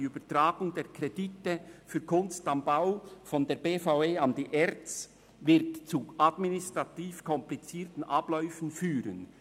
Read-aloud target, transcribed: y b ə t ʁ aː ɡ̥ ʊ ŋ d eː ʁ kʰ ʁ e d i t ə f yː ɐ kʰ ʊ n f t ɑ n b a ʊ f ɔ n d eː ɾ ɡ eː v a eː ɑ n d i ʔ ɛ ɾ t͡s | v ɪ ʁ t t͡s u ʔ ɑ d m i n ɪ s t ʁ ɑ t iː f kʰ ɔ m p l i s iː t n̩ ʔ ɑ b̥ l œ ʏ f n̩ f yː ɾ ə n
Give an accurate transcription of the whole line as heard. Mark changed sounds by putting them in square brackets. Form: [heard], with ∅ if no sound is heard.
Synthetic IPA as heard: y b ə t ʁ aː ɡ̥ ʊ ŋ d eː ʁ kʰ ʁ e d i t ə f yː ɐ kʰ ʊ n [s] t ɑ [m] b a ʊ f ɔ n d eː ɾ [b] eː [f] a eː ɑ n d i ʔ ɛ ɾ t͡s | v ɪ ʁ t t͡s u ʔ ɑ d m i n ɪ s t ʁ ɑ t iː f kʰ ɔ m p l i [t͡s] iː t n̩ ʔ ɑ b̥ l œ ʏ f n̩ f yː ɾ ə n